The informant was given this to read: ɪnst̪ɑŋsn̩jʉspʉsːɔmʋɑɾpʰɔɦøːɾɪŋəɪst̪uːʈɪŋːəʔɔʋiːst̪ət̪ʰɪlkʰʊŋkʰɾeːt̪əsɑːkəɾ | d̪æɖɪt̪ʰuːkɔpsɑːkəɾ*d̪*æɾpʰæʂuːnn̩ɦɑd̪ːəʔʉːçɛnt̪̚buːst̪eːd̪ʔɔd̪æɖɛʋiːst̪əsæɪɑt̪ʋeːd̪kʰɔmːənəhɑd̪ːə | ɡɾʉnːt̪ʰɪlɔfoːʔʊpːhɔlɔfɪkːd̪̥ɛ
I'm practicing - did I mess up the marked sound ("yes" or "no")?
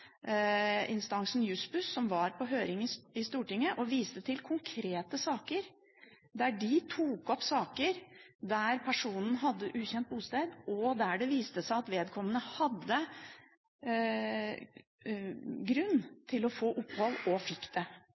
no